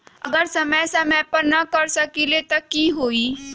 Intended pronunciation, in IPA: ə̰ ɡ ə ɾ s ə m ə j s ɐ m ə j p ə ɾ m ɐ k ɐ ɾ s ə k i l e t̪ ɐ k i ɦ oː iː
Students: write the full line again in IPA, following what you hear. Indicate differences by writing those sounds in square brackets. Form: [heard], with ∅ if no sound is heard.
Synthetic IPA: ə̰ ɡ ə ɾ s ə m ə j s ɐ m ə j p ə ɾ [n] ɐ k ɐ ɾ s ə k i l e t̪ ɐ k i ɦ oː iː